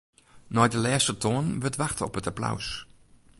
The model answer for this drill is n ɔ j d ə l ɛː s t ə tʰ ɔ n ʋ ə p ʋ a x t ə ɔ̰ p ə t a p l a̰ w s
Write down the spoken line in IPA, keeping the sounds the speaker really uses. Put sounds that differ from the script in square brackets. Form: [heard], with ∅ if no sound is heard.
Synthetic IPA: n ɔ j d ə l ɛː s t ə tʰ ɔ n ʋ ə [t] ʋ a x t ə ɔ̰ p ə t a p l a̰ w s